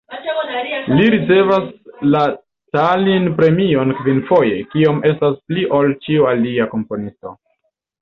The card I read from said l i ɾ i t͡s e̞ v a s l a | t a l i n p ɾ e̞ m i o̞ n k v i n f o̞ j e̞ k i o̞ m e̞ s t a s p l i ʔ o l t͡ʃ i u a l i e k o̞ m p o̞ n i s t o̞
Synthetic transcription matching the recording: l i ɾ i t͡s e̞ v a s l a | t a l i n p ɾ e̞ m i o̞ n k v i n f o̞ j e̞ k i o̞ m e̞ s t a s p l i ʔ o l t͡ʃ i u a l i a k o̞ m p o̞ n i s t o̞